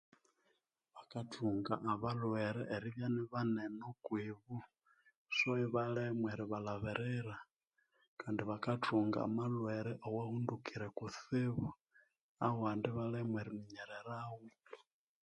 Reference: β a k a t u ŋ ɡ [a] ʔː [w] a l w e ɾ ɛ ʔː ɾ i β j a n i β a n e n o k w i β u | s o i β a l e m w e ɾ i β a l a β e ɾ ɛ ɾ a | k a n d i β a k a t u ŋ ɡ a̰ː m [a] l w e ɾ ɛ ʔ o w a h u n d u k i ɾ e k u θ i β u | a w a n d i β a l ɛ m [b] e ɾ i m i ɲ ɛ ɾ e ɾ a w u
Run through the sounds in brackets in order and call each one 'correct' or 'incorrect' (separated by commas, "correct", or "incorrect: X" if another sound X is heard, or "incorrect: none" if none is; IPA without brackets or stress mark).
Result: correct, incorrect: β, correct, incorrect: w